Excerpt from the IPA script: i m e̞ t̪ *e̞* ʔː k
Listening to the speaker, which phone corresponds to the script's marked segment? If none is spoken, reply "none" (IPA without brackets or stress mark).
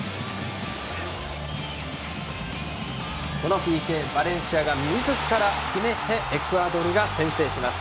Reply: e̞